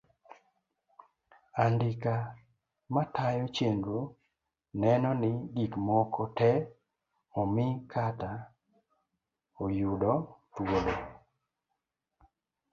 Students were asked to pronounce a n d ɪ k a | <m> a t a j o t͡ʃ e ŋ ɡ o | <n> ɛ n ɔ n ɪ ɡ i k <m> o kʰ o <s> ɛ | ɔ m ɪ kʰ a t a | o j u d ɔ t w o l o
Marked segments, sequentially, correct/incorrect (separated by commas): correct, correct, correct, incorrect